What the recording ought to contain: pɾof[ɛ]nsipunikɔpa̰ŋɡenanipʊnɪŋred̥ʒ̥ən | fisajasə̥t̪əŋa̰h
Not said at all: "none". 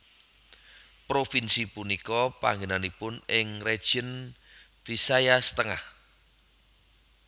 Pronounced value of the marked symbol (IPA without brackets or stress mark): i